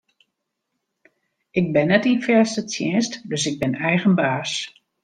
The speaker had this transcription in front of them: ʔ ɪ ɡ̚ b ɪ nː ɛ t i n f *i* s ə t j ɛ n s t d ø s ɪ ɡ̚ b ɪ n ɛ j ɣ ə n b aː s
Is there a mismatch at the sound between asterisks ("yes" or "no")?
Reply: yes